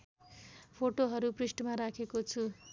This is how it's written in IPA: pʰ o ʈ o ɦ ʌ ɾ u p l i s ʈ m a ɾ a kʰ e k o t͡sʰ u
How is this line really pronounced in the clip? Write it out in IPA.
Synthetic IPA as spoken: pʰ o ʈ o ɦ ʌ ɾ u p r i s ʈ m a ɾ a kʰ e k o t͡sʰ u